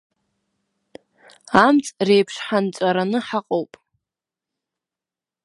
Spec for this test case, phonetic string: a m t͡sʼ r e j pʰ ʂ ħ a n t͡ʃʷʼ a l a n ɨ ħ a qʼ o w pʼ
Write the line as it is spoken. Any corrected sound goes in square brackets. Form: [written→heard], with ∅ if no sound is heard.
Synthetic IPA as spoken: a m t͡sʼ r e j pʰ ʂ ħ a n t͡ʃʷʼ a [l→ɾ] a n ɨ ħ a qʼ o w pʼ